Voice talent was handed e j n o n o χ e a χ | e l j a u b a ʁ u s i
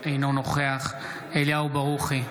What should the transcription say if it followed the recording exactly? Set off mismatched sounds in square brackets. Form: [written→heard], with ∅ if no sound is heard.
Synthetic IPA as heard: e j n o n o χ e a χ | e l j a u b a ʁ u [s→χ] i